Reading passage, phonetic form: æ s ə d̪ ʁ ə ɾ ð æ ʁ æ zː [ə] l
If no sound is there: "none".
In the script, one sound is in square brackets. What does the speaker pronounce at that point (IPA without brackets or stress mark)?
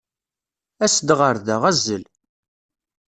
ə